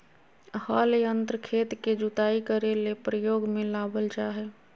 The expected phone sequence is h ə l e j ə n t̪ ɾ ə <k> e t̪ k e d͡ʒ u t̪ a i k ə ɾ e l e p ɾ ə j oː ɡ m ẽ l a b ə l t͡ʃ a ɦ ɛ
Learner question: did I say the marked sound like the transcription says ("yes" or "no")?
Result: no